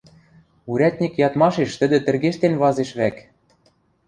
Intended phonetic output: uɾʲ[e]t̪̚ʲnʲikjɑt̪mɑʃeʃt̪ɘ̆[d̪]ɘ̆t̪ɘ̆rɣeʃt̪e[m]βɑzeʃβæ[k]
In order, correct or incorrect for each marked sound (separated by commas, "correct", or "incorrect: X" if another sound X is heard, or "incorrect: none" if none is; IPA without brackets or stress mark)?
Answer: incorrect: æ, correct, incorrect: n, correct